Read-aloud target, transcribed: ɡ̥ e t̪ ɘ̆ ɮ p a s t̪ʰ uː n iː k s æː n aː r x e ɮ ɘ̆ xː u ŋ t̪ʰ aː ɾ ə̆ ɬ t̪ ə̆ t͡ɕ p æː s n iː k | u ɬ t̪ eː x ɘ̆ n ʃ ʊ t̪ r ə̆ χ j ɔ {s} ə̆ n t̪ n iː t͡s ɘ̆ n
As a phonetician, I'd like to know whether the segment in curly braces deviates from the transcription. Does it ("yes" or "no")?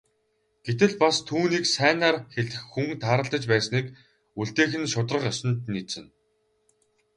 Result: no